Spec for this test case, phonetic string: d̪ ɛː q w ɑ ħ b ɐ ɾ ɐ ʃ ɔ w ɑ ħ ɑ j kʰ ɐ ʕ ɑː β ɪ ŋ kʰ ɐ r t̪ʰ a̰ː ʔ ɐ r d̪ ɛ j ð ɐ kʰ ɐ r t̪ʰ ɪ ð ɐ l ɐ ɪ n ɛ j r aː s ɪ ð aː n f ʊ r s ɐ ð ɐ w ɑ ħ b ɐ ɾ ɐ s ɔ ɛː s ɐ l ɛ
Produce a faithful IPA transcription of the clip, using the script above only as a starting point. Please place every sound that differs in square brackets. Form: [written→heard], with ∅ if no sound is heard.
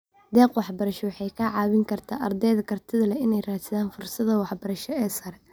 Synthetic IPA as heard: d̪ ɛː q w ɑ ħ b ɐ ɾ ɐ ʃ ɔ w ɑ ħ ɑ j kʰ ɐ ʕ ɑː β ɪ ŋ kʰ ɐ r t̪ʰ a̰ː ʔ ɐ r d̪ ɛ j ð ɐ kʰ ɐ r t̪ʰ ɪ ð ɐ l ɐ ɪ n ɛ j r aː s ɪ ð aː n f ʊ r s ɐ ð ɐ w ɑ ħ b ɐ ɾ ɐ [s→ʃ] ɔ ɛː s ɐ [l→ɾ] ɛ